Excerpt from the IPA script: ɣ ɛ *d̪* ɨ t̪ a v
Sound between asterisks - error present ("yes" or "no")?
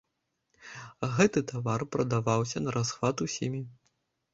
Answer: yes